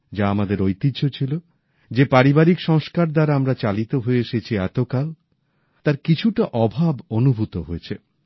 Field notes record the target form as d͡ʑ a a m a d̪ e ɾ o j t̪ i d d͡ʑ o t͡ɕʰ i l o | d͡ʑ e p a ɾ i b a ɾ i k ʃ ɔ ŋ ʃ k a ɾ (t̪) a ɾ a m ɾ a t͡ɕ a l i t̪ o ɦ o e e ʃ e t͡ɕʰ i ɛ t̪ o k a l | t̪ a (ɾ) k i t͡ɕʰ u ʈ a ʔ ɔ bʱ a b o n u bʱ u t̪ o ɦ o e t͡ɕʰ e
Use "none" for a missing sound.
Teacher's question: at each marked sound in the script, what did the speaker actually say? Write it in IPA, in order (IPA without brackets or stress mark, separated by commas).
d̪, ɾ